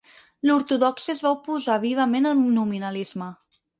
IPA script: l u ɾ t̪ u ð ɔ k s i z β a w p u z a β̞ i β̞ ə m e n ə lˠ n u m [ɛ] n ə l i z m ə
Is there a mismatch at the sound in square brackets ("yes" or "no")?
yes